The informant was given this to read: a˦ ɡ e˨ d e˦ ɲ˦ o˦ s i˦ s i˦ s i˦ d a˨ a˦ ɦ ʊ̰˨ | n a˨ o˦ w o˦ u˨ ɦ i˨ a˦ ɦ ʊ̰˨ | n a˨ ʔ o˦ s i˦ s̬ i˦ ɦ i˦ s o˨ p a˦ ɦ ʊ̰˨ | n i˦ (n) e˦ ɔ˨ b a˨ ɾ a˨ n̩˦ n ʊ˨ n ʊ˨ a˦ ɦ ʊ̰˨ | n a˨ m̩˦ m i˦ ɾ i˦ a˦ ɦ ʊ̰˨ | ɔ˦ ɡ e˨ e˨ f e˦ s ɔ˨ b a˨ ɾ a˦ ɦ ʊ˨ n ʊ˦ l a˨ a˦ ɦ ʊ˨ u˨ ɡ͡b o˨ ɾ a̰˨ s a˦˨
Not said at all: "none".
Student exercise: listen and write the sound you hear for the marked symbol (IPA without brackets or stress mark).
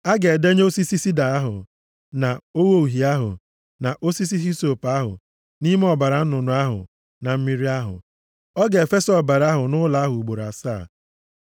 m